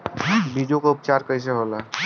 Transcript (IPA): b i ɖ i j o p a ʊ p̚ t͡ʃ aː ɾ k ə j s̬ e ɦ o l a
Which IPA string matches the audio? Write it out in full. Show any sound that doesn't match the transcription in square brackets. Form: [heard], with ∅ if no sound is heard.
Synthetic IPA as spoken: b i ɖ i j o [k] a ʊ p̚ t͡ʃ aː ɾ k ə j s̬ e ɦ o l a